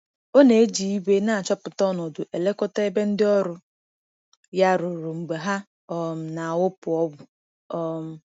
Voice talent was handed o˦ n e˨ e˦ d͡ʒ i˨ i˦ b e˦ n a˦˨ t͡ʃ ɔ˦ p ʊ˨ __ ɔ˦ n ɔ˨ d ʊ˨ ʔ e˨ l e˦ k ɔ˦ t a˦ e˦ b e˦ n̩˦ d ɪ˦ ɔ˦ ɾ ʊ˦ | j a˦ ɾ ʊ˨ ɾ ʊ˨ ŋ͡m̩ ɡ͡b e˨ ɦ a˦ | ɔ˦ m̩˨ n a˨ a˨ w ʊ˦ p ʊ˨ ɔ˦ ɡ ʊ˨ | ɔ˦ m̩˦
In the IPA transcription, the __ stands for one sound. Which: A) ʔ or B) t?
B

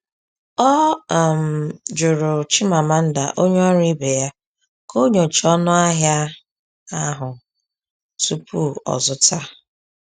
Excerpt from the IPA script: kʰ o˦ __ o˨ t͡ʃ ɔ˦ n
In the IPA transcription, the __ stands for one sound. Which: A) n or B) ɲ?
B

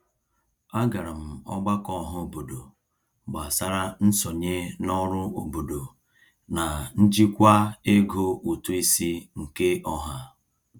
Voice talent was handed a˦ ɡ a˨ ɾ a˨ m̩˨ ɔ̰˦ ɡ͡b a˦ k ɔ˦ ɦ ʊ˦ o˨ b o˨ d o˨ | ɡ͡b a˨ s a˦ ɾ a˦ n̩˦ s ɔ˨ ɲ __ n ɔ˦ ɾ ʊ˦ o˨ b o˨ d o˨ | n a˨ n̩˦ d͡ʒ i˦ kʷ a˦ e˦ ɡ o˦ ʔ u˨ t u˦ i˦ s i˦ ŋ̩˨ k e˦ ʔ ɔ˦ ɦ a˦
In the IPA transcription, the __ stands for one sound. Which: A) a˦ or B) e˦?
B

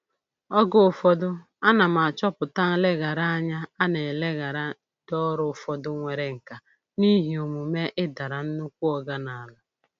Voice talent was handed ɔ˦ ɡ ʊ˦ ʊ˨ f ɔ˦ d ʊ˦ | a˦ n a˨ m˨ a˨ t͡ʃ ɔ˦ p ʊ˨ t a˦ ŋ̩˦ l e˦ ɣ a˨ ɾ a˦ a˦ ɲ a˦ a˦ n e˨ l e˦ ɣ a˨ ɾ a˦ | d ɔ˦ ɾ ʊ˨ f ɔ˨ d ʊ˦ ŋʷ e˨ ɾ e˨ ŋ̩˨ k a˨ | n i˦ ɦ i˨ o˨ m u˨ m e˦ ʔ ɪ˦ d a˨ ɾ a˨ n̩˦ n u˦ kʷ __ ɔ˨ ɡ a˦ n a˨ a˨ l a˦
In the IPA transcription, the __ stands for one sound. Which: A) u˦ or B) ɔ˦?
A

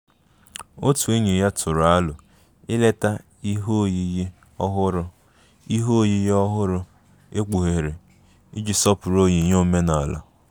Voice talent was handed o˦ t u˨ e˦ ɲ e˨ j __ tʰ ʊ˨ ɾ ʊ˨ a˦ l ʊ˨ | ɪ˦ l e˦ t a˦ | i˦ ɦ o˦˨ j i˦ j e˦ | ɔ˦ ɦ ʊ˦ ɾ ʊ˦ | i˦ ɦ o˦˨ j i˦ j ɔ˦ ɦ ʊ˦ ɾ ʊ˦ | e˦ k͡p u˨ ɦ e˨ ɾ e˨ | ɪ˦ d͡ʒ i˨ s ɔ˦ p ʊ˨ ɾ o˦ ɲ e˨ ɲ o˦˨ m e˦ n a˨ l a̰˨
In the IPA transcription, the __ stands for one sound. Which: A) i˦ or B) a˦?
B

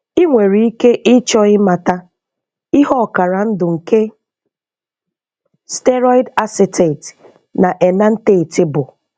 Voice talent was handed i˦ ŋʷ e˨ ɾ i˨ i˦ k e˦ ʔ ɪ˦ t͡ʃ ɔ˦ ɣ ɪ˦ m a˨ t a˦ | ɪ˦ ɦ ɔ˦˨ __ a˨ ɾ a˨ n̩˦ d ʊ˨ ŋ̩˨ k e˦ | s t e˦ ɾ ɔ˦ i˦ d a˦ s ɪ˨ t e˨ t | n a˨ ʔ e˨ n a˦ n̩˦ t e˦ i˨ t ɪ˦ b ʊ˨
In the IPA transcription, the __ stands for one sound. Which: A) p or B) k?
B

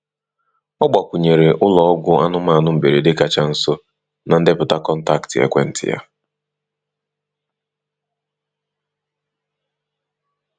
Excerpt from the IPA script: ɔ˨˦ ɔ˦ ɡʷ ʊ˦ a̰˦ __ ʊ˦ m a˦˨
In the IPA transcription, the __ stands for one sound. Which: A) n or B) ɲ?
A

